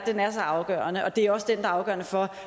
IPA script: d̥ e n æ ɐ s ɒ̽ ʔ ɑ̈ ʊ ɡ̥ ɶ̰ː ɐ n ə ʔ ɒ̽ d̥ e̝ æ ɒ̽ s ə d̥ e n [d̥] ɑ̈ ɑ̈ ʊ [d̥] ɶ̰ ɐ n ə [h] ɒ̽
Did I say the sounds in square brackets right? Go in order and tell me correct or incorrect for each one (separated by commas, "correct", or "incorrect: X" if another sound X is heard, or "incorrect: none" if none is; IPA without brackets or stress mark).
correct, incorrect: ɡ̥, incorrect: f